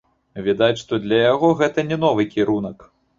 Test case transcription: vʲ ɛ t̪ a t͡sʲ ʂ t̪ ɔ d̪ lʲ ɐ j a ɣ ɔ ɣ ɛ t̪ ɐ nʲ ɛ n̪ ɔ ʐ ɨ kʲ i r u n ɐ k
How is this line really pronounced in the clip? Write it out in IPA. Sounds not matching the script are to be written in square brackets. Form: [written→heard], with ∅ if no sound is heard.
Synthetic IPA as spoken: vʲ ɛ [t̪→d̪] a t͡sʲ ʂ t̪ ɔ d̪ lʲ ɐ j a ɣ ɔ ɣ ɛ t̪ ɐ nʲ ɛ n̪ ɔ [ʐ→v] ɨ kʲ i [r→ɾ] u n ɐ k